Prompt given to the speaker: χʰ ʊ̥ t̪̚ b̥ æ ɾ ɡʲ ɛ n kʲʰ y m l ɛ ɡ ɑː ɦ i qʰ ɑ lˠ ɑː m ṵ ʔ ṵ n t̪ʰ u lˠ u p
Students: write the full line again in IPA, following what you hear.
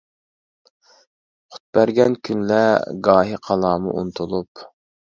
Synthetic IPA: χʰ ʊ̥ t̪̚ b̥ æ ɾ ɡʲ ɛ n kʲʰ y n l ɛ ɡ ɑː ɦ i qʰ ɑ lˠ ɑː m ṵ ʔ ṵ n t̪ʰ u lˠ u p